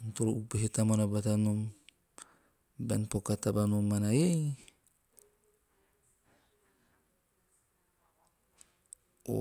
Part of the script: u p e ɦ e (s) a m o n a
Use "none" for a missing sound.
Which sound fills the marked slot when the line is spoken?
t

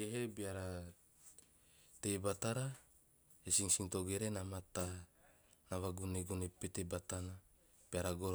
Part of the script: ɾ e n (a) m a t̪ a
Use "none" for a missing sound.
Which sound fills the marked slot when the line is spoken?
a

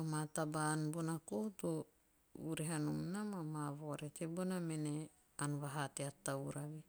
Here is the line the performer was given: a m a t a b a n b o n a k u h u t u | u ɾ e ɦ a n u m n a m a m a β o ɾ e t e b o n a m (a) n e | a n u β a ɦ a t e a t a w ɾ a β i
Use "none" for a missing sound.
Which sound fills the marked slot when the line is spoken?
e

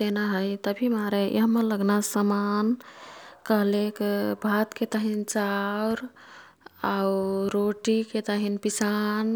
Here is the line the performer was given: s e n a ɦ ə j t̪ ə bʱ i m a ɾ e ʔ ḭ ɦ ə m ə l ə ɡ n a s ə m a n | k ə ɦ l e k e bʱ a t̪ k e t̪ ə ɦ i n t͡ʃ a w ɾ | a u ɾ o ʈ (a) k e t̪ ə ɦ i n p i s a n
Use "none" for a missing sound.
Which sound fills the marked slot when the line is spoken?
i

